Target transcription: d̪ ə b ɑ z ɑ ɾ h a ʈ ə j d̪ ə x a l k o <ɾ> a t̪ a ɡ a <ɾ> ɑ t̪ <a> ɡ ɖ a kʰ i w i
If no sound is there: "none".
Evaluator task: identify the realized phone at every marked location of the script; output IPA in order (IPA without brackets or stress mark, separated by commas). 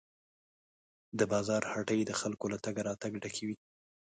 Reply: l, ɾ, a